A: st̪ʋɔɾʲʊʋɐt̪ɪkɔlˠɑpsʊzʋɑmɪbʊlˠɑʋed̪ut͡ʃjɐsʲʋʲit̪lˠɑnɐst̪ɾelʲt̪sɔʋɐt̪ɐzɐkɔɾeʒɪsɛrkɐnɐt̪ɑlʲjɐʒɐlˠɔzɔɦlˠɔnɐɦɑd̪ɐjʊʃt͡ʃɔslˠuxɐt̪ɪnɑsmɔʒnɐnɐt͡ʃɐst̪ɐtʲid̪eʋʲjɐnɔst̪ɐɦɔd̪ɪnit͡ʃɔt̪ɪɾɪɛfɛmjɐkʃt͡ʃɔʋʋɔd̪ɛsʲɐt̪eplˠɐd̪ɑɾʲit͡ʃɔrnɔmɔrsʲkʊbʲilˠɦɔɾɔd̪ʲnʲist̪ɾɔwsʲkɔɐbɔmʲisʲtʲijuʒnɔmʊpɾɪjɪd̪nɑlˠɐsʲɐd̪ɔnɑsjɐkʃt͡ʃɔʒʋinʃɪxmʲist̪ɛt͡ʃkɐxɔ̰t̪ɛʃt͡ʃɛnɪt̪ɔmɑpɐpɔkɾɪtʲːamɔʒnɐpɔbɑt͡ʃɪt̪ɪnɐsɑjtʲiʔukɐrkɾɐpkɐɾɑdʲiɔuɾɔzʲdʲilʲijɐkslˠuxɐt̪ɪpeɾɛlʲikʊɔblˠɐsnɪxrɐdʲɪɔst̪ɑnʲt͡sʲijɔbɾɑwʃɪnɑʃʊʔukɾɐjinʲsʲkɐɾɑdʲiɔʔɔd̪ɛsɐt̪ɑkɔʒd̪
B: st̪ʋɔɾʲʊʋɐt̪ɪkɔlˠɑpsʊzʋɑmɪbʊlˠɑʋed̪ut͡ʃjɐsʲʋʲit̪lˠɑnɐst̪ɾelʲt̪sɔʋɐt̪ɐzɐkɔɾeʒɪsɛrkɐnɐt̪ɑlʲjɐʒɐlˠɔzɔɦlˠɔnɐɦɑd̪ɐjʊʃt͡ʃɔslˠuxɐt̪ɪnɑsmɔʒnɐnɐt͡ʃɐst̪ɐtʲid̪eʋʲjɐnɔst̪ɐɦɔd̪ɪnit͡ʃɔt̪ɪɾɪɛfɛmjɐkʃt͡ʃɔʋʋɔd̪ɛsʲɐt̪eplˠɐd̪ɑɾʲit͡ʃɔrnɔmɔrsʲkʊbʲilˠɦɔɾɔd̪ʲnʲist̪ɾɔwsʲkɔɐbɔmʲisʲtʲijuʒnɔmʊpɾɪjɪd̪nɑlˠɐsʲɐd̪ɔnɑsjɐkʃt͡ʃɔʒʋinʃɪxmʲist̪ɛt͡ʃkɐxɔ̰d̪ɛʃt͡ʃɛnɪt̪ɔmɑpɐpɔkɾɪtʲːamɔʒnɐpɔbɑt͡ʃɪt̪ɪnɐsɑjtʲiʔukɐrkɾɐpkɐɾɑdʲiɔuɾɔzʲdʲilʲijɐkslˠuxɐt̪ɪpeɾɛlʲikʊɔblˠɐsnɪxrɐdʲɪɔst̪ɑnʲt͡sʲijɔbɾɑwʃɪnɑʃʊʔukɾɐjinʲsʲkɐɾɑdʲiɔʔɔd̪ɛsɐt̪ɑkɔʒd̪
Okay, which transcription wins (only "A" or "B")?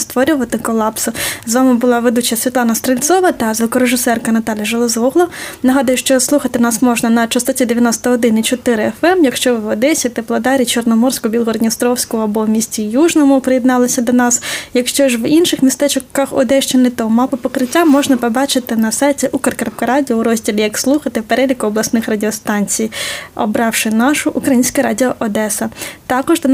B